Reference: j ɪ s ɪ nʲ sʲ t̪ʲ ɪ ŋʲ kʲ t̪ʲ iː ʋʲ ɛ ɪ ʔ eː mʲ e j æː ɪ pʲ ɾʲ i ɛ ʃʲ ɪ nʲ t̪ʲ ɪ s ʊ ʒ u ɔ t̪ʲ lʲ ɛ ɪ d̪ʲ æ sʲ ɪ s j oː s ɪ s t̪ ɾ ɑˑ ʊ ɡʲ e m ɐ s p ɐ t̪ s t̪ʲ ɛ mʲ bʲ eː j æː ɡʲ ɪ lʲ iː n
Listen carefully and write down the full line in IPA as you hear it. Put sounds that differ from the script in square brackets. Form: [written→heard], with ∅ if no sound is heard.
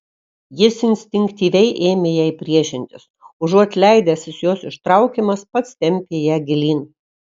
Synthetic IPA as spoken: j ɪ s ɪ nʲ sʲ t̪ʲ ɪ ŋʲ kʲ t̪ʲ iː ʋʲ ɛ ɪ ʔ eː mʲ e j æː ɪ pʲ ɾʲ i ɛ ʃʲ ɪ nʲ t̪ʲ ɪ s ʊ ʒ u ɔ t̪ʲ lʲ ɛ ɪ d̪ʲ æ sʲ ɪ s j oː s ɪ [s→ʃ] t̪ ɾ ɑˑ ʊ [ɡʲ→kʲ] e m ɐ s p ɐ t̪ s t̪ʲ ɛ mʲ [bʲ→pʲ] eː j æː ɡʲ ɪ lʲ iː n